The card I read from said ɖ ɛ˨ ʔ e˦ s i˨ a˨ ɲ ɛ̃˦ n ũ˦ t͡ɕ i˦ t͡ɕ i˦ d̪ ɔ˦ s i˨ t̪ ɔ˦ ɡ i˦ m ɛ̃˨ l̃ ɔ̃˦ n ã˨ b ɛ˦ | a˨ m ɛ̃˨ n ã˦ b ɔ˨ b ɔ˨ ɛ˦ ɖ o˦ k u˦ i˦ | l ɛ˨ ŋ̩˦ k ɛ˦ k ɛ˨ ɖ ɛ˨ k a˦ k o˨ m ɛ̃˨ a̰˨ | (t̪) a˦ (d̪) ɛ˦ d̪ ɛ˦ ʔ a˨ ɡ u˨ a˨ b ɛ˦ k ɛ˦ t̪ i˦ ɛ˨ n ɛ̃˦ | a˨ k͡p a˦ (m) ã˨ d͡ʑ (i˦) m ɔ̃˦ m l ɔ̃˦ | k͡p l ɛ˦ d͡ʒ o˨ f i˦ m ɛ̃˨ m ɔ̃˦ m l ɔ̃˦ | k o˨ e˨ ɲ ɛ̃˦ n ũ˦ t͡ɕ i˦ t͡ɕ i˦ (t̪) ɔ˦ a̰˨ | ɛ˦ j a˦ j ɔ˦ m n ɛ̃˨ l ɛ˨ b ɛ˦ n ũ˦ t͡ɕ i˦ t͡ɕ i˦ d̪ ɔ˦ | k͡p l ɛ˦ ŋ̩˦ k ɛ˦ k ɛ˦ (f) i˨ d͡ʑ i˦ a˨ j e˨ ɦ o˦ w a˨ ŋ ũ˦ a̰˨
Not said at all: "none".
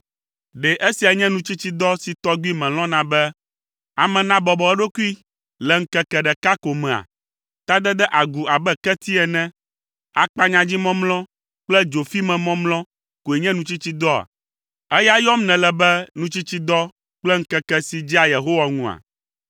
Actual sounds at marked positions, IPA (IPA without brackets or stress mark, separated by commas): t̪, d̪, ɲ, i˦, d̪, s